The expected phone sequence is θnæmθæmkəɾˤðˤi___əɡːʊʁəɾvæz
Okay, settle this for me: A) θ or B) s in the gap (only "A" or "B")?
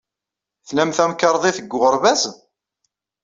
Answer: A